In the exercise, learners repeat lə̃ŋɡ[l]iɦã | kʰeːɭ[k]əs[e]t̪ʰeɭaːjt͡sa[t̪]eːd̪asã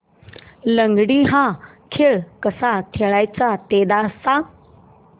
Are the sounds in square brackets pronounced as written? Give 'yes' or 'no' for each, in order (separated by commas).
no, yes, no, yes